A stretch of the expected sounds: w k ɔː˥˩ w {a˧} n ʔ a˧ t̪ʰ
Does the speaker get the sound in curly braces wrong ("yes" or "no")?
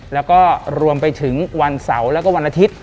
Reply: no